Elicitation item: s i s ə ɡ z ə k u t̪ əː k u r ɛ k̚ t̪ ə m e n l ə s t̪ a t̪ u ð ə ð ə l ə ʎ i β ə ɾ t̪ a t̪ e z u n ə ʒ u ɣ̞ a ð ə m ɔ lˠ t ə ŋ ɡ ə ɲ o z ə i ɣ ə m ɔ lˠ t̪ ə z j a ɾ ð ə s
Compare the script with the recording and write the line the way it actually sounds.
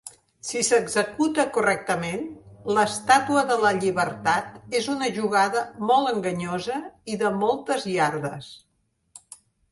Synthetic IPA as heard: s i s ə ɡ z ə k u t̪ ə k u r ɛ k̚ t̪ ə m e n l ə s t̪ a t̪ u ə ð ə l ə ʎ i β ə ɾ t̪ a t̪ e z u n ə ʒ u ɣ̞ a ð ə m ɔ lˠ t ə ŋ ɡ ə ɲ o z ə i ð ə m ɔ lˠ t̪ ə z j a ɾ ð ə s